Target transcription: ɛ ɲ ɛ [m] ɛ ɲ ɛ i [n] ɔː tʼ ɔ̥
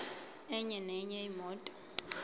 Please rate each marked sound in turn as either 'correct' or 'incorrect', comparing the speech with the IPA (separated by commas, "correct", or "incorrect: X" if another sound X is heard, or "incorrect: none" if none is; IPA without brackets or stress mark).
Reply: incorrect: n, incorrect: m